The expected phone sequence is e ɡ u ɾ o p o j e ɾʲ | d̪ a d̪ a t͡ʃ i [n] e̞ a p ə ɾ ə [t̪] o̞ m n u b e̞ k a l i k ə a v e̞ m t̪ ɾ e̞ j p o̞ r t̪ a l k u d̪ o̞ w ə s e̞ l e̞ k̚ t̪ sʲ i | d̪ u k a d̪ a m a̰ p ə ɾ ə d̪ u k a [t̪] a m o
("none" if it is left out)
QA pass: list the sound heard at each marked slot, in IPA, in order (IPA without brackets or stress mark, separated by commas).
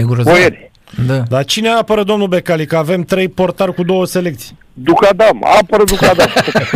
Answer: n, d̪, d̪